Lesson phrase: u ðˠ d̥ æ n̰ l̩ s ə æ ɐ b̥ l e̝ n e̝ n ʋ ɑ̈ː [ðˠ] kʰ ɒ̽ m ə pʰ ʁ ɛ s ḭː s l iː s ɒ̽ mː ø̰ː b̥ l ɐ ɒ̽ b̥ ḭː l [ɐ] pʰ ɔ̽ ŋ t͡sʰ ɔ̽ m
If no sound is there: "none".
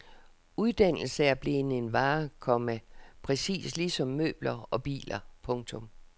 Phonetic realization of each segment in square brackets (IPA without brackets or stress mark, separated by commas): none, ɐ